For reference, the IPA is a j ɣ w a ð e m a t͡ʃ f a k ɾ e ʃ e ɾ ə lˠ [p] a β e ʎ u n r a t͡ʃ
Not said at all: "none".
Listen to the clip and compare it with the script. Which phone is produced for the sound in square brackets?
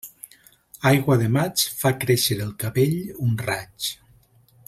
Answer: k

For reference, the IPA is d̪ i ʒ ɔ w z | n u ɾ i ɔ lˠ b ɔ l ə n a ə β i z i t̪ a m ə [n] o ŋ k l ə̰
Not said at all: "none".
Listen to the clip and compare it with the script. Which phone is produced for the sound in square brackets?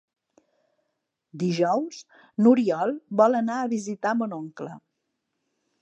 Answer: n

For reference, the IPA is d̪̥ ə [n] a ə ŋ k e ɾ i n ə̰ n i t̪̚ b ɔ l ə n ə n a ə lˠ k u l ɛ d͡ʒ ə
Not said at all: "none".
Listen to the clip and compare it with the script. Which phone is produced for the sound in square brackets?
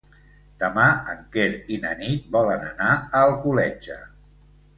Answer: m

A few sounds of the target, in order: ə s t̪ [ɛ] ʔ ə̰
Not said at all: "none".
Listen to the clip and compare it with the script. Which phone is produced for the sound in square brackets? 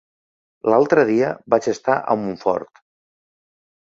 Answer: a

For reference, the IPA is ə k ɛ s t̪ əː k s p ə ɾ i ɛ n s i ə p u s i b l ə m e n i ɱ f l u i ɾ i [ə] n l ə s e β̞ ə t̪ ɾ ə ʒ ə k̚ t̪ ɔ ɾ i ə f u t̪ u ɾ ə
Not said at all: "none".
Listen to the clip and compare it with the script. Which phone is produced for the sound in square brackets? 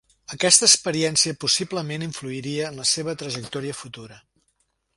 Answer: əː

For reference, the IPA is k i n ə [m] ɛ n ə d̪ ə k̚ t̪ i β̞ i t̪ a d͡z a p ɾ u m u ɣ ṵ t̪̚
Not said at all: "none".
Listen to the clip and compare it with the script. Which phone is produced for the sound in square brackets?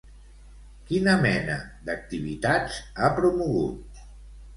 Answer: m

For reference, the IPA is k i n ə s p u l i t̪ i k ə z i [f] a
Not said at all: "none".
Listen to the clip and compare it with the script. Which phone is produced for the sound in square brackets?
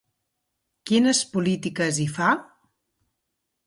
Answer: f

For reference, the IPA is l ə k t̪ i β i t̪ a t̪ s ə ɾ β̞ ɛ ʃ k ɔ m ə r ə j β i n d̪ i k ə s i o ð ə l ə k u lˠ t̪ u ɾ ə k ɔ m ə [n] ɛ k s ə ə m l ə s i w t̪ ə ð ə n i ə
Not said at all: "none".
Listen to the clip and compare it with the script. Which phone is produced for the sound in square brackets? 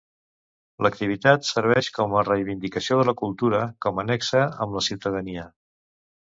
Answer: n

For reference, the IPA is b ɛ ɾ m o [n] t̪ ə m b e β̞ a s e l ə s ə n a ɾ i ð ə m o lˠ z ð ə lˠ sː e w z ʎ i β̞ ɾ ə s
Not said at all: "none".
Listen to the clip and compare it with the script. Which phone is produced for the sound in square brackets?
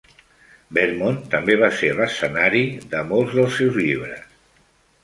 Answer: n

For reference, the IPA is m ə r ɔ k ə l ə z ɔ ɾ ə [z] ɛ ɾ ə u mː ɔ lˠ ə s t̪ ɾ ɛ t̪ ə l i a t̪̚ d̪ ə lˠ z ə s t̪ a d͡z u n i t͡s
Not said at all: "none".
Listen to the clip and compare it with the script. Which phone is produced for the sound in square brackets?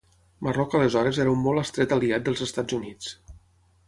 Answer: z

